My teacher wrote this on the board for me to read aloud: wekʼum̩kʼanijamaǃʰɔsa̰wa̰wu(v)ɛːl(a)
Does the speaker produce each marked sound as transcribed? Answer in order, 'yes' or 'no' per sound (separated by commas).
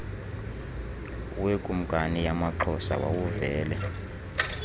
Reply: yes, no